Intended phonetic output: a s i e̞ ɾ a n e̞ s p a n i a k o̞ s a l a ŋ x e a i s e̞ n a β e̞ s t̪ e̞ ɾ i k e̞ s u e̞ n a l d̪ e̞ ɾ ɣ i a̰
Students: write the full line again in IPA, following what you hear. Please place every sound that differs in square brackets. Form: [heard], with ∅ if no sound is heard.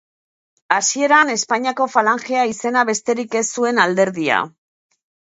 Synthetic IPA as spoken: a s i e̞ ɾ a n e̞ s p a [ɲ] i a k o̞ [f] a l a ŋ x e a i s e̞ n a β e̞ s t̪ e̞ ɾ i k e̞ s u e̞ n a l d̪ e̞ ɾ [ð] i a̰